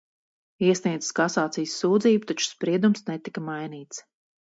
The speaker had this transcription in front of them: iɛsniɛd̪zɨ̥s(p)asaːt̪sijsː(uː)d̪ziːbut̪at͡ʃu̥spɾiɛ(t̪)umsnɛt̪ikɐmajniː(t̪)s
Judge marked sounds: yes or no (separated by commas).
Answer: no, yes, no, yes